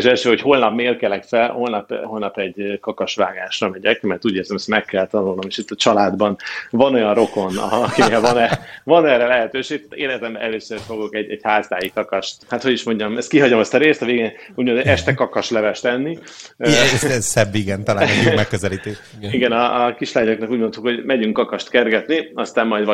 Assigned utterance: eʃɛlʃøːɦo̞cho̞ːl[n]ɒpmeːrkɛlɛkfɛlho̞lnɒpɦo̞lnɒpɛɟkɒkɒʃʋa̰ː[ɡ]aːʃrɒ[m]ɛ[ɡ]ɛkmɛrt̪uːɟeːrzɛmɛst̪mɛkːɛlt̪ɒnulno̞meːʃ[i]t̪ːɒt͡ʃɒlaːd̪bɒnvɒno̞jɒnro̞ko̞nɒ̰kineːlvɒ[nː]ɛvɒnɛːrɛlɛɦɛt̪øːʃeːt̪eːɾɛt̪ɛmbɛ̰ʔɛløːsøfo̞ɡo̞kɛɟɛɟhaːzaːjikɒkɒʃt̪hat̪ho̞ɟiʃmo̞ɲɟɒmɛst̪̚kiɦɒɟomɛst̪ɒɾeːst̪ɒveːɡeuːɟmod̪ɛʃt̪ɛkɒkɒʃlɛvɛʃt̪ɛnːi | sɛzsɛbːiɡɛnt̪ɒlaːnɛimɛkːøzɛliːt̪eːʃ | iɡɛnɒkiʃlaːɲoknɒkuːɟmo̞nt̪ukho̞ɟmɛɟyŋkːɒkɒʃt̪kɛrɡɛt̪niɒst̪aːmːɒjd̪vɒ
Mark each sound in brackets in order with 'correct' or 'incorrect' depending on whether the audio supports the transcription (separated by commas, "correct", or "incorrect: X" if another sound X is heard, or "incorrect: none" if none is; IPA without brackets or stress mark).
correct, correct, correct, incorrect: ɟ, correct, incorrect: n